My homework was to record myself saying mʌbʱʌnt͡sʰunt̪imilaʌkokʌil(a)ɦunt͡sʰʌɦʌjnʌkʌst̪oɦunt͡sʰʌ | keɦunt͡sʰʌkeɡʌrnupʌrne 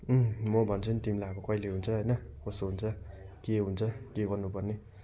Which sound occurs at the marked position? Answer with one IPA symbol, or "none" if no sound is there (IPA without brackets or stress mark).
e